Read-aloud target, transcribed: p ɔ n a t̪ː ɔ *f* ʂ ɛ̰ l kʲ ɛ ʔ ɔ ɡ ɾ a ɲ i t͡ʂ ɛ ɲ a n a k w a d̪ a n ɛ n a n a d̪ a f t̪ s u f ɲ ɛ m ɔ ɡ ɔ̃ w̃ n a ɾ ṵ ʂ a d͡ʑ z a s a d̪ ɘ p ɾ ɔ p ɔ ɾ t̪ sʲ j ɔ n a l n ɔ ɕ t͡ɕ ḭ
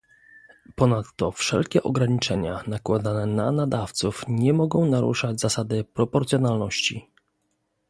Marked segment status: correct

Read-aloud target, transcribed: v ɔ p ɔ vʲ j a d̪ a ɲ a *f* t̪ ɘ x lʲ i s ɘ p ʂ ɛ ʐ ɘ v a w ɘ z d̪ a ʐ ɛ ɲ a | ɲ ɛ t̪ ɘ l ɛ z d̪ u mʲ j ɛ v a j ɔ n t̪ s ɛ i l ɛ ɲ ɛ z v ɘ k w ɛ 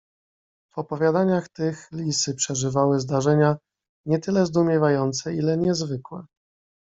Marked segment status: incorrect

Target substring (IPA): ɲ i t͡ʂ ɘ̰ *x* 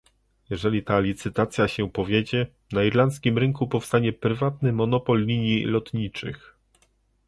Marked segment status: correct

